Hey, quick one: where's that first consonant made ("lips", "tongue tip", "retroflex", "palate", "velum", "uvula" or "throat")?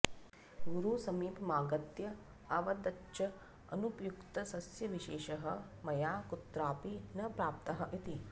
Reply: velum